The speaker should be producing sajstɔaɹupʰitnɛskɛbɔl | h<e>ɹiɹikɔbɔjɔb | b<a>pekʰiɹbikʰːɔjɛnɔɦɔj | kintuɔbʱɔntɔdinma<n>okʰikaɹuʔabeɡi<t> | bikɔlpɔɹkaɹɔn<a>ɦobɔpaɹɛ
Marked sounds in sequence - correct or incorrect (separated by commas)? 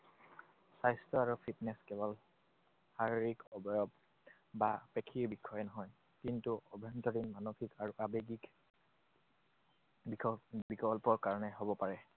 incorrect, correct, correct, incorrect, incorrect